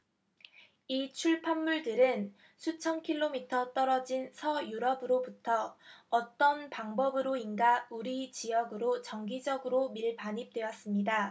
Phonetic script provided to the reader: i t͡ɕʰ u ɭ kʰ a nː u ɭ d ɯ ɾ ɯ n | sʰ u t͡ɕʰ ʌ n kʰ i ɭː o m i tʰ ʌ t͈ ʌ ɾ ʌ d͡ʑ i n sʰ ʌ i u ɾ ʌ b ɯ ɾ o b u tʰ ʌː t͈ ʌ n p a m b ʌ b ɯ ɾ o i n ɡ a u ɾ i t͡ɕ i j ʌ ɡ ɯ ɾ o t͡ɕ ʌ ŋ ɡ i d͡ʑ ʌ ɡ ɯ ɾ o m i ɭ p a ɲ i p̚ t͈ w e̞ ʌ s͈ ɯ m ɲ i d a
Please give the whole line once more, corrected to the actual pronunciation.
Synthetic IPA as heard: i t͡ɕʰ u ɭ pʰ a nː u ɭ d ɯ ɾ ɯ n | sʰ u t͡ɕʰ ʌ n kʰ i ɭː o m i tʰ ʌ t͈ ʌ ɾ ʌ d͡ʑ i n sʰ ʌ j u ɾ ʌ b ɯ ɾ o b u tʰ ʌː t͈ ʌ n p a ŋ b ʌ b ɯ ɾ o i n ɡ a u ɾ i t͡ɕ i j ʌ ɡ ɯ ɾ o t͡ɕ ʌ ŋ ɡ i d͡ʑ ʌ ɡ ɯ ɾ o m i ɭ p a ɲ i p̚ t͈ w e̞ ʌ s͈ ɯ m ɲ i d a